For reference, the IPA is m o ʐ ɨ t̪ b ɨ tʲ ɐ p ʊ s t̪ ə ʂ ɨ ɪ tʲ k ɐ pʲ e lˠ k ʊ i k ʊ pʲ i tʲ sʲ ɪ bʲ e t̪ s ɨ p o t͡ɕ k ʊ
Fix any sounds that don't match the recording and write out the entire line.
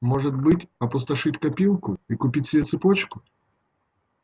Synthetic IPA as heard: m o ʐ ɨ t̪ b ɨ tʲ ɐ p ʊ s t̪ ɐ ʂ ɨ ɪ tʲ k ɐ pʲ i lˠ k ʊ i k ʊ pʲ i tʲ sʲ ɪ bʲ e t̪ s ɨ p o t͡ɕ k ʊ